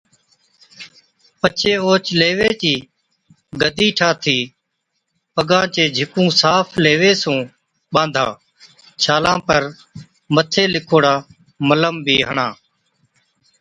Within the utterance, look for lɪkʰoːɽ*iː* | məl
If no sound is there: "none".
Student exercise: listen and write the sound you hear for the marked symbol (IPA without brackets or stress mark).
aː